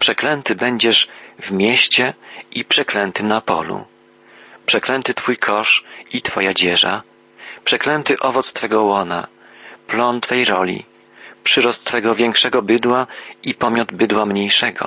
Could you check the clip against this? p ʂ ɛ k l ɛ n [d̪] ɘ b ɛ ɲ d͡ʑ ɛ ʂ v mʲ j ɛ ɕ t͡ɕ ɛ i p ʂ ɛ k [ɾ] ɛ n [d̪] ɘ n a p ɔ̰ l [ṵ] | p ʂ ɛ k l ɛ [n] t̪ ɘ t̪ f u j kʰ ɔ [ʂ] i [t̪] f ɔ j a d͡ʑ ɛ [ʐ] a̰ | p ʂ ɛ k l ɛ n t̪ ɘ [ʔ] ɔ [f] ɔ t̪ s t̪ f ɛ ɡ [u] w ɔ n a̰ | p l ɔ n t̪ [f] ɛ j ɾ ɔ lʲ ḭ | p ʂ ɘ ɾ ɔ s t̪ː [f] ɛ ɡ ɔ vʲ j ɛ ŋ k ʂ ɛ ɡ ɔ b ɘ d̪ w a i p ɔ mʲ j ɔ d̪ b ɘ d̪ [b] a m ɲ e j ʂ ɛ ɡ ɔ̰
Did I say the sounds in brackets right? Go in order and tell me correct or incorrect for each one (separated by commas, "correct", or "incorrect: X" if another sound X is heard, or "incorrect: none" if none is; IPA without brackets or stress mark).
incorrect: t̪, incorrect: l, incorrect: t̪, correct, correct, correct, correct, correct, correct, incorrect: v, incorrect: ɔ, correct, correct, incorrect: w